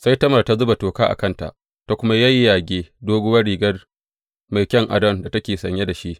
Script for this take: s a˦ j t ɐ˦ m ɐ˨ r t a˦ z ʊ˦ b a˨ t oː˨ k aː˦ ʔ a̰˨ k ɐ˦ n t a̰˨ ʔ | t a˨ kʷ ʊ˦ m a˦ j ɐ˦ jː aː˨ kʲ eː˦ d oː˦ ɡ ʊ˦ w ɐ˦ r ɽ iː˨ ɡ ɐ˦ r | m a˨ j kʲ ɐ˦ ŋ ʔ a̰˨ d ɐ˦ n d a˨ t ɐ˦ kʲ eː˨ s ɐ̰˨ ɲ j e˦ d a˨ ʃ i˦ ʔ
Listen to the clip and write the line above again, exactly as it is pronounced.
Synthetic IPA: s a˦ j t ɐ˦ m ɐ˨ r t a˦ z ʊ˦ b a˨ t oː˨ k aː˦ ʔ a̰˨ k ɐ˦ n t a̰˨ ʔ | t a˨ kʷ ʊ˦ m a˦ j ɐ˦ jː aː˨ ɡʲ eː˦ d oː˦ ɡ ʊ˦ w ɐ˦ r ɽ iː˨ ɡ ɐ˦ r | m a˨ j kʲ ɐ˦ ŋ ʔ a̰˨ d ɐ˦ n d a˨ t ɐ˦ kʲ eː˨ s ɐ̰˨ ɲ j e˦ d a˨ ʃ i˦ ʔ